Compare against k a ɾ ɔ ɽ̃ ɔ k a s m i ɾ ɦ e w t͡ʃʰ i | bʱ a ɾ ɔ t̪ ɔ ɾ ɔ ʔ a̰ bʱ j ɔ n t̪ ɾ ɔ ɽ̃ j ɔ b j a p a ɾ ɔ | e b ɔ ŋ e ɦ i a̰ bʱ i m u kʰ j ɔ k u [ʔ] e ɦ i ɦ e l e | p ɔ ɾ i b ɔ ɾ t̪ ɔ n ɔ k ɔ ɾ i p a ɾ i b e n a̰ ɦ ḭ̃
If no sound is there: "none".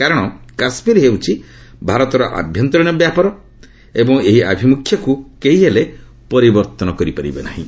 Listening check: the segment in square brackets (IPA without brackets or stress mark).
k